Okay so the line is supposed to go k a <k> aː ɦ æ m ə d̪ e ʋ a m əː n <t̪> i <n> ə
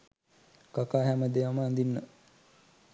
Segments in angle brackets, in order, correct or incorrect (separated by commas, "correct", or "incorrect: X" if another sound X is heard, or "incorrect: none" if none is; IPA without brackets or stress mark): correct, incorrect: d̪, incorrect: nː